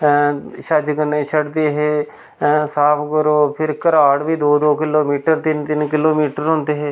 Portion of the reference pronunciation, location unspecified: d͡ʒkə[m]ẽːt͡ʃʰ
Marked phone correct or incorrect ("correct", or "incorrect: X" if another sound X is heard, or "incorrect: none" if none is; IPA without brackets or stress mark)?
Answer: incorrect: n